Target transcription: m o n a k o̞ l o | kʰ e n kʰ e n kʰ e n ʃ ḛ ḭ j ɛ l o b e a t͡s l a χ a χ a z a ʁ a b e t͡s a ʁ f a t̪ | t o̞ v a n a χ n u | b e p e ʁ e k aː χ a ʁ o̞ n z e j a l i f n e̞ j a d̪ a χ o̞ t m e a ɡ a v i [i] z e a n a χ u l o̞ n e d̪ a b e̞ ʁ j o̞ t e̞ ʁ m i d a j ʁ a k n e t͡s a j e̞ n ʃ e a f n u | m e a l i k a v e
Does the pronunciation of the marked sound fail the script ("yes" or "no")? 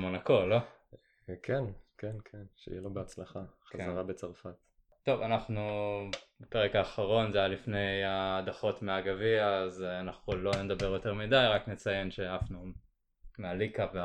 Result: yes